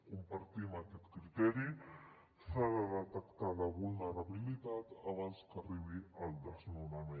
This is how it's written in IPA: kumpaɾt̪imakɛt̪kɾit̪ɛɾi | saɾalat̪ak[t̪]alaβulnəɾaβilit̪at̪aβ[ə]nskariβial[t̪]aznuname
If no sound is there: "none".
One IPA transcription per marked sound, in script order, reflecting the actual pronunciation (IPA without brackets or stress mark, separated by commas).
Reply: t̪, a, d̪